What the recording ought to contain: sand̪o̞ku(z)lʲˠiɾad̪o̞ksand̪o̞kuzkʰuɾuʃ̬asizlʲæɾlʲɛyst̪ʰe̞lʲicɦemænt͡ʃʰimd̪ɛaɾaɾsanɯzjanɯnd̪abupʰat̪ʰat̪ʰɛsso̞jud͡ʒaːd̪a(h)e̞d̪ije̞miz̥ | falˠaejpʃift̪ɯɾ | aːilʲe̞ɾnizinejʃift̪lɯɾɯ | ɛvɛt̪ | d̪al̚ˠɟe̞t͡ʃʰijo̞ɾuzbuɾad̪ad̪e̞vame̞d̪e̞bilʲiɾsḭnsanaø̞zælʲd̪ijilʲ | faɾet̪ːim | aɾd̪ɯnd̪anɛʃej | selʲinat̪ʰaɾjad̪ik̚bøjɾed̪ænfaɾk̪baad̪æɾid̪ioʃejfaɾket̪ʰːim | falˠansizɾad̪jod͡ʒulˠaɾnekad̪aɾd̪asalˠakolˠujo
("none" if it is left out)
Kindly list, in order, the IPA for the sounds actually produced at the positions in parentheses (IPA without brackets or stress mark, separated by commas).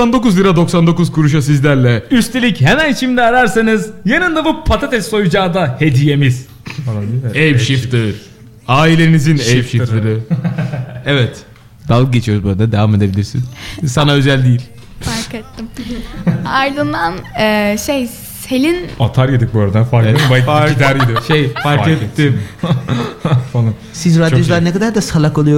z, h